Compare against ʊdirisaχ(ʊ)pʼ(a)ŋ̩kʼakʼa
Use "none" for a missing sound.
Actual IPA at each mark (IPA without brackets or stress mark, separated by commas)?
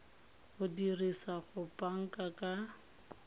ʊ, a